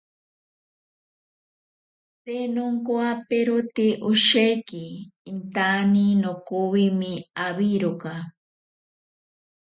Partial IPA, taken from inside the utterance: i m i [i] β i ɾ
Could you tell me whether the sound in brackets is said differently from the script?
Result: yes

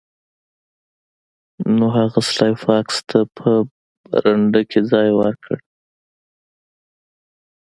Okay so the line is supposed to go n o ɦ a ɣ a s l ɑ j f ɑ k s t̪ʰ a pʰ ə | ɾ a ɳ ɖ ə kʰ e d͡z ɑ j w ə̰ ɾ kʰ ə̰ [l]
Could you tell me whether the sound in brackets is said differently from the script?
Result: yes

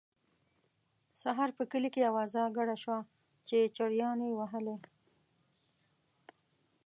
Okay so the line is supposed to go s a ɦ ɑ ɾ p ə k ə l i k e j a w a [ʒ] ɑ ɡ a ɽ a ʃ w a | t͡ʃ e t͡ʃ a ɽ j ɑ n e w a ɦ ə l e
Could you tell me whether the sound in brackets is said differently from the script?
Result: yes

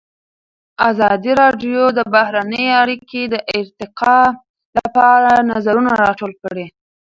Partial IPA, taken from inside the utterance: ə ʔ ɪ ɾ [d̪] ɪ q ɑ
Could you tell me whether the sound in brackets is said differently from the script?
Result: yes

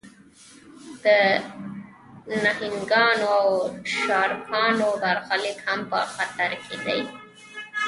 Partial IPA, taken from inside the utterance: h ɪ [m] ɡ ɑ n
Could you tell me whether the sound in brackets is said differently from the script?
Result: yes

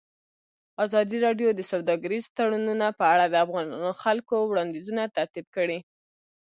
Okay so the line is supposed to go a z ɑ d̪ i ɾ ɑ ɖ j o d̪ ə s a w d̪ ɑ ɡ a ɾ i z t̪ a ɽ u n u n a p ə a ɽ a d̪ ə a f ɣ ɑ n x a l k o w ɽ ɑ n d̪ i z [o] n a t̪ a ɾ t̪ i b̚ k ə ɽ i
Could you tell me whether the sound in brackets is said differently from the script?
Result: yes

